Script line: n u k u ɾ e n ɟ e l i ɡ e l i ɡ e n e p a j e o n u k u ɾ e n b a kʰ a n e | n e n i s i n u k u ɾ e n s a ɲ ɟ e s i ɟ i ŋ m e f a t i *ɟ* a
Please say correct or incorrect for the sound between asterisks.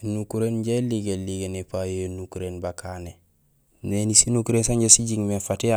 incorrect